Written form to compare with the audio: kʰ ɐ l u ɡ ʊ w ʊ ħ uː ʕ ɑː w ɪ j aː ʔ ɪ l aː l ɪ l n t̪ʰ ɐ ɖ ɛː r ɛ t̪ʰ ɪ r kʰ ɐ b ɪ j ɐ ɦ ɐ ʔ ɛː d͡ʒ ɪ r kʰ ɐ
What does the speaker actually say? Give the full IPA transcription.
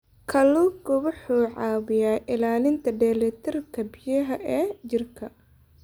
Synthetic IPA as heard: kʰ ɐ l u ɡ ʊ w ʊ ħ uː ʕ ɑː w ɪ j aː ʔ ɪ l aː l ɪ n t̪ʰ ɐ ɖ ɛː l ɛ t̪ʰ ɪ r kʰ ɐ b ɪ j ɐ ɦ ɐ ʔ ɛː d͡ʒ ɪ r kʰ ɐ

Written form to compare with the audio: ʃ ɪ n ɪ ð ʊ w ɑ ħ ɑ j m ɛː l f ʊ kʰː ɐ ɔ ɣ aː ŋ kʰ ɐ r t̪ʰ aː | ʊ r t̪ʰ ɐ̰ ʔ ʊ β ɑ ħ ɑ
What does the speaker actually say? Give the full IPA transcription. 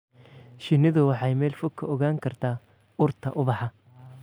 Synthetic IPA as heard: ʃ ɪ n ɪ ð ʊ w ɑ ħ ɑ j m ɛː l f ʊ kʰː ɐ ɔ ɣ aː ŋ kʰ ɐ r t̪ʰ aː | ʊ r t̪ʰ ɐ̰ ʔ ʊ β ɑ ħ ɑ

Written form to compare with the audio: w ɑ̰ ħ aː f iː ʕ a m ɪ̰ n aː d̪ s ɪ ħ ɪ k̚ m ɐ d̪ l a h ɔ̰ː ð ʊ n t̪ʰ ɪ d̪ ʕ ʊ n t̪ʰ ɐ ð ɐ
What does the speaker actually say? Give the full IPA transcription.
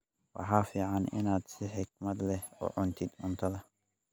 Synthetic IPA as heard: w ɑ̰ ħ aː f iː ʕ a n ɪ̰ n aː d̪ s ɪ ħ ɪ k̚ m ɐ d̪ l ɛ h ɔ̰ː ʕ ʊ n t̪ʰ ɪ d̪ ʕ ʊ n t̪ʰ ɐ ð ɐ

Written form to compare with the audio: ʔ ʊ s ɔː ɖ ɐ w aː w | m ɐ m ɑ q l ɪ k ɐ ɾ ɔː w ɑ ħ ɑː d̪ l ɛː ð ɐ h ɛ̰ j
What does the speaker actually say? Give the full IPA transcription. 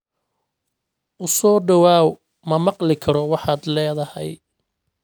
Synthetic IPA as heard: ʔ ʊ s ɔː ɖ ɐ w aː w | m ɐ m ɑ q l ɪ kʰ ɐ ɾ ɔ w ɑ ħ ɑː d̪ l ɛː ð ɐ h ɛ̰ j

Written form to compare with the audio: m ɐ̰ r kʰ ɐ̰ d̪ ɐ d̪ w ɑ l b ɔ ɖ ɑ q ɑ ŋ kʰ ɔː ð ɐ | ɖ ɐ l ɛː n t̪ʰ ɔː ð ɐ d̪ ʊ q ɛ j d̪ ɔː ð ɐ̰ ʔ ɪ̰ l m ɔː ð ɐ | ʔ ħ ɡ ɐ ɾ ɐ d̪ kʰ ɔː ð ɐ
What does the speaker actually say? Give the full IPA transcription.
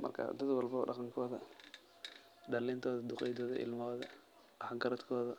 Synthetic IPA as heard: m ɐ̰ r kʰ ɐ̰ d̪ ɐ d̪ w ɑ l b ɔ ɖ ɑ q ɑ ŋ kʰ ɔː ð ɐ | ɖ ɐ l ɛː n t̪ʰ ɔː ð ɐ d̪ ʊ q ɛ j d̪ ɔː ð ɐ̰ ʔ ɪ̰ l m ɔː ð ɐ | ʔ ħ ɡ ɐ ɾ ɐ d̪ kʰ ɔː ð ɐ

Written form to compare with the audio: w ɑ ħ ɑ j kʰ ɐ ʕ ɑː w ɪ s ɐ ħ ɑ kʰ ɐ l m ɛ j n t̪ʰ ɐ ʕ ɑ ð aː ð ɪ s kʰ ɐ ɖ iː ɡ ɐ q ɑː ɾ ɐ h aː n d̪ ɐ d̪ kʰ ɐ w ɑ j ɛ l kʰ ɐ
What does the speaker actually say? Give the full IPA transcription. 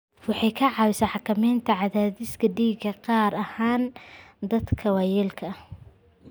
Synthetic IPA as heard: w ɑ ħ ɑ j kʰ ɐ ʕ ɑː w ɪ s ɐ ħ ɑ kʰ ɐ m ɛ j n t̪ʰ ɐ ʕ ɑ ð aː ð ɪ s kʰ ɐ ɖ iː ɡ ɐ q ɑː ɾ ɐ h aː n d̪ ɐ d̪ kʰ ɐ w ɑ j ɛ l kʰ ɐ

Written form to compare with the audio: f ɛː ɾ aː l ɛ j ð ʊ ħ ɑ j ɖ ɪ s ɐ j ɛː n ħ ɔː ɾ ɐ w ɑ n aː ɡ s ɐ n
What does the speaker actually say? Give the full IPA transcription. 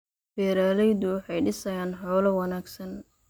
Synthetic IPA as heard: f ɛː ɾ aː l ɛ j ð ʊ ħ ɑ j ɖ ɪ s ɐ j aː n ħ ɔː l ɐ w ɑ n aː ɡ s ɐ n

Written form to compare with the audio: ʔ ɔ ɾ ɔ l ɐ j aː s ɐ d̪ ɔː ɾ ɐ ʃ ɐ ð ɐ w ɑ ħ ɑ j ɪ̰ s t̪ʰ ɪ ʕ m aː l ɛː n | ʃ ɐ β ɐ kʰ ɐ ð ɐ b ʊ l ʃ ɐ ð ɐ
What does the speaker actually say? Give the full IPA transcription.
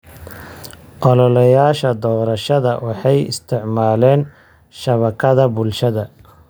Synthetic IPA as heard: ʔ ɔ l ɔ l ɐ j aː ʃ ɐ d̪ ɔː ɾ ɐ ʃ ɐ ð ɐ w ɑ ħ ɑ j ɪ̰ s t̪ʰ ɪ ʕ m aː l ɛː n | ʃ ɐ β ɐ kʰ ɐ ð ɐ b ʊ l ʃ ɐ ð ɐ

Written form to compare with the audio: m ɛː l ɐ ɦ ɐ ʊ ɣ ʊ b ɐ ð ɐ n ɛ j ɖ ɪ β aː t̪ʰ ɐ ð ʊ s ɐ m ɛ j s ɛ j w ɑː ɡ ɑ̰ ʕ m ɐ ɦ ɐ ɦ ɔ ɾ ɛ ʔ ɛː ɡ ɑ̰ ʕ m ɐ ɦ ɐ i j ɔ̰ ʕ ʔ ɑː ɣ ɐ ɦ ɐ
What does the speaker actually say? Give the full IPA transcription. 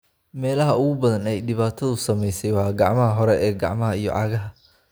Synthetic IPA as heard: m ɛː l ɐ ɦ ɐ ʊ ɣ ʊ b ɐ ð ɐ n ɛ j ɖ ɪ β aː t̪ʰ ɐ ð ʊ s ɐ m ɛ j s ɛ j w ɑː ɡ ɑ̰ ʕ m ɐ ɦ ɐ ɦ ɔ ɾ ɛ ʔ ɛː ɡ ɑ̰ ʕ m ɐ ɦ ɐ i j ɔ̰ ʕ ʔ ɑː ɣ ɐ ɦ ɐ

